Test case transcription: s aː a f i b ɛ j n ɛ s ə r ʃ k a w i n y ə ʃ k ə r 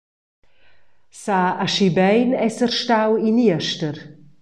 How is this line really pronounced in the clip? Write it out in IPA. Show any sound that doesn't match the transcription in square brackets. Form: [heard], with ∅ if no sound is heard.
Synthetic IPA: s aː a [ʃ] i b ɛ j n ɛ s ə r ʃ [t] a w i n [i] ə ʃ [t] ə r